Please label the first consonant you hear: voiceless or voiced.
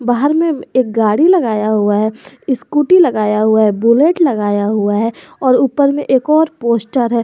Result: voiced